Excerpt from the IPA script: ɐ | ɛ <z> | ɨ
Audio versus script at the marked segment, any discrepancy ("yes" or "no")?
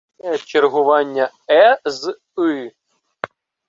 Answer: no